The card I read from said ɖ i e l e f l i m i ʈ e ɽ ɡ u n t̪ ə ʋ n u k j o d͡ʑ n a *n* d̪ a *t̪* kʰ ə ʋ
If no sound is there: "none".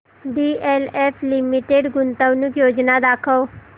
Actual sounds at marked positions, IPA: none, none

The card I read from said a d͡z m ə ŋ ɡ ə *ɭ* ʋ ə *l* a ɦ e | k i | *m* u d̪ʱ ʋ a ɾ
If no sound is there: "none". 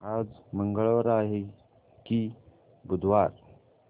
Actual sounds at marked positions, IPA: ɭ, ɾ, b

